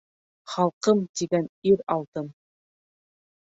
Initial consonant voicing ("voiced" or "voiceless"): voiceless